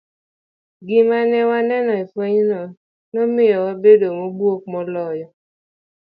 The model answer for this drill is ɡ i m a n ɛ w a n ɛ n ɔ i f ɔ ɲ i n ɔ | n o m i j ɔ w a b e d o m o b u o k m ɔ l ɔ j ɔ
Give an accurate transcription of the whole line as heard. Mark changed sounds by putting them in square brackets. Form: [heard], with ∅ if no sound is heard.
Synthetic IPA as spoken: ɡ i m a n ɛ w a n ɛ n ɔ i f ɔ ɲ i n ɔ | n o m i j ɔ w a b e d o m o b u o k m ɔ l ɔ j ɔ